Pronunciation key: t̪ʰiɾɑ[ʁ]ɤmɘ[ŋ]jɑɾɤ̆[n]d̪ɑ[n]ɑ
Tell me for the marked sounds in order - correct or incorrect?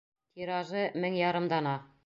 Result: incorrect: ʒ, correct, incorrect: m, correct

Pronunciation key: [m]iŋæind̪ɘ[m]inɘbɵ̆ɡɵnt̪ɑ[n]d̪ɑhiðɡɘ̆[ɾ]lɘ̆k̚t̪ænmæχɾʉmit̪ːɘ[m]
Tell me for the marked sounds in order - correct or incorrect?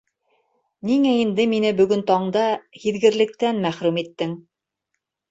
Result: incorrect: n, correct, incorrect: ɴ, correct, incorrect: ŋ

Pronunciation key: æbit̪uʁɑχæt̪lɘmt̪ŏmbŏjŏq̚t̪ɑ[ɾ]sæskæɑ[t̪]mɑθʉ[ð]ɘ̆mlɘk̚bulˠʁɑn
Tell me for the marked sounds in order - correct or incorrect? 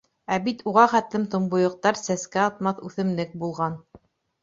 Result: correct, correct, incorrect: θ

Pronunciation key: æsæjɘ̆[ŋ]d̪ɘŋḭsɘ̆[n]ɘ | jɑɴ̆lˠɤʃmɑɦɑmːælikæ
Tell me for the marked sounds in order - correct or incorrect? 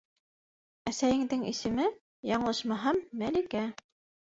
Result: correct, incorrect: m

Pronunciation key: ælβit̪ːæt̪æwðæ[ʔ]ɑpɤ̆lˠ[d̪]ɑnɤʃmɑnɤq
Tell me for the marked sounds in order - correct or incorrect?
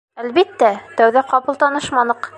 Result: incorrect: q, incorrect: t̪

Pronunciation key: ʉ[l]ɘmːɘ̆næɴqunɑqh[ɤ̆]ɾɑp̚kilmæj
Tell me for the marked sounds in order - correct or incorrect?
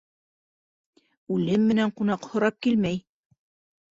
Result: correct, incorrect: ŏ

